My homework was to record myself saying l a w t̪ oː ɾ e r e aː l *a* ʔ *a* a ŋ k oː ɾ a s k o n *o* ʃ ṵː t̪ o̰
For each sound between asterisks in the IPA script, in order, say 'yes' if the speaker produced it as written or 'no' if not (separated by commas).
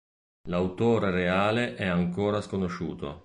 no, no, yes